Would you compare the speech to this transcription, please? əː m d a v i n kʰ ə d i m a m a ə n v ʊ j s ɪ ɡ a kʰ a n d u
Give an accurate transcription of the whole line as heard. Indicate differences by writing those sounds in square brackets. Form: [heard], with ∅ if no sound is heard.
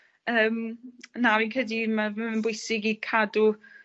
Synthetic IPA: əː m [n] a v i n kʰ ə d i m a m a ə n [b] ʊ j s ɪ ɡ [i] kʰ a [∅] d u